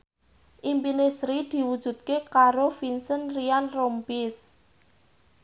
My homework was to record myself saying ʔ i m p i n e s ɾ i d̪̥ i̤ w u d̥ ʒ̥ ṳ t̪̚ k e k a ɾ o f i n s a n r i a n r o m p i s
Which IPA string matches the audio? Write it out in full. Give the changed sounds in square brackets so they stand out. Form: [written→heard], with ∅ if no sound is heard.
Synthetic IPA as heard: ʔ i m p i n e s ɾ i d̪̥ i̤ w u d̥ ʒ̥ ṳ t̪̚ k e k a ɾ o f i n s [a→ə] n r i a n r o m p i s